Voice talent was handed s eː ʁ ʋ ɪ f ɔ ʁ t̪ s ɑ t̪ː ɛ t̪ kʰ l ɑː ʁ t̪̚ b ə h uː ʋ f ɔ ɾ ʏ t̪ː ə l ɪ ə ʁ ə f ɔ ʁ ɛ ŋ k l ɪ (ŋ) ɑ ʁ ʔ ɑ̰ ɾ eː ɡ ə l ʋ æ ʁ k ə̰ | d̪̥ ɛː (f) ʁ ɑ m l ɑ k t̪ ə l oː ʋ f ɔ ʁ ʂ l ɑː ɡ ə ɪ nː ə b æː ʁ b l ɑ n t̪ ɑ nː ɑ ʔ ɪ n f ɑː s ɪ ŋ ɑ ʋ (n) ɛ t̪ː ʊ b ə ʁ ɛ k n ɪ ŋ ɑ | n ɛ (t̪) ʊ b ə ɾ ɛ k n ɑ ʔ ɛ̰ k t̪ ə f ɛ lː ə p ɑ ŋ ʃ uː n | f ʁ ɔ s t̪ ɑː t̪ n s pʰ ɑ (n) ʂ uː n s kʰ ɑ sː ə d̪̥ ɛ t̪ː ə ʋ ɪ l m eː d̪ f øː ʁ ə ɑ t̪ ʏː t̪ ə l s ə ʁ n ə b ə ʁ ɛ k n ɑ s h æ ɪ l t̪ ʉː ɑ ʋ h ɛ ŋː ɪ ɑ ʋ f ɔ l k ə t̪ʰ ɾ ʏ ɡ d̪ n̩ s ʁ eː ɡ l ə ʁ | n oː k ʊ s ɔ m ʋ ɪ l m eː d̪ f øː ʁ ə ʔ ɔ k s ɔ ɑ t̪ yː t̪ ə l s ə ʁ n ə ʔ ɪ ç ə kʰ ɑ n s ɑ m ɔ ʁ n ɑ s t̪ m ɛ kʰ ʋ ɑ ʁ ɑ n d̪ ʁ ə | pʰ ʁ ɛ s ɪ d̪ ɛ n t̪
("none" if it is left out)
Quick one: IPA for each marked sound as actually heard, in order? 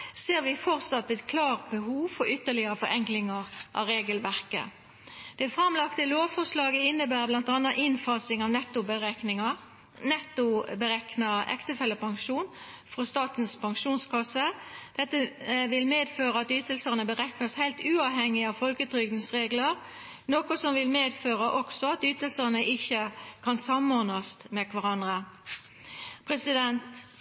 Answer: ŋ, f, n, t̪, ŋ

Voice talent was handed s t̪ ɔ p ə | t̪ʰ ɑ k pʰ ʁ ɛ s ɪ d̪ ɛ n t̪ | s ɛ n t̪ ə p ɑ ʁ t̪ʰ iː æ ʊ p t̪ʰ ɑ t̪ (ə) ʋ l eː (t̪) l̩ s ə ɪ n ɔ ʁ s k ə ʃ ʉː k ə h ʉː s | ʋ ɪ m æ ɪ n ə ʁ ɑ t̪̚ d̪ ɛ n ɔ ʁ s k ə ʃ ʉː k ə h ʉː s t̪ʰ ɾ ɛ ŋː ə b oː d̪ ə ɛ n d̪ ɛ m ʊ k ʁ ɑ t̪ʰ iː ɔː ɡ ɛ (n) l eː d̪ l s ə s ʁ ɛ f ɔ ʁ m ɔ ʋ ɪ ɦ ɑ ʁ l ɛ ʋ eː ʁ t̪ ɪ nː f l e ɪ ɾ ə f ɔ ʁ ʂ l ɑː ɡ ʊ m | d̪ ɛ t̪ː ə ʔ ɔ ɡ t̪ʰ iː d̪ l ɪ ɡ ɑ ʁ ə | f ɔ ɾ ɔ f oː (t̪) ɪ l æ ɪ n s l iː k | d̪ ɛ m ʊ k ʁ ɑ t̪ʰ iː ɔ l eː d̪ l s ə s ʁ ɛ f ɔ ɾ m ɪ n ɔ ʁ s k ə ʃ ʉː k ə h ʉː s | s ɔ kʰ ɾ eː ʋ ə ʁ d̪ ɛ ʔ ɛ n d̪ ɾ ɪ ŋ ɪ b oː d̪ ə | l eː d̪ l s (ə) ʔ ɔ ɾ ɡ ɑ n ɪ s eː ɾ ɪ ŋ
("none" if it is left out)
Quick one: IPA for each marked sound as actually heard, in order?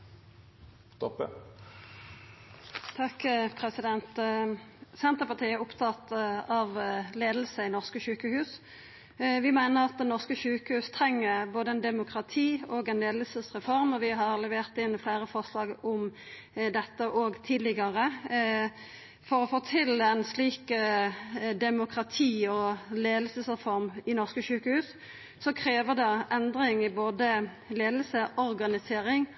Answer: ɑ, d̪, n, t̪ʰ, ə

